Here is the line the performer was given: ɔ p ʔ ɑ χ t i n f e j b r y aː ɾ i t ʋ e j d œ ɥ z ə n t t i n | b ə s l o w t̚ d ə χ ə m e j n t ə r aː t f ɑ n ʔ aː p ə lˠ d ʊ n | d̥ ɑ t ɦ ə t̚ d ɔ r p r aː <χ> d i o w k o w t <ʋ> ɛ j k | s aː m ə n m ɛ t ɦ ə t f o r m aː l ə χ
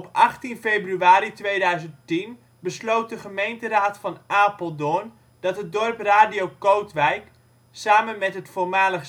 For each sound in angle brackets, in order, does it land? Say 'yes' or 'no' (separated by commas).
no, yes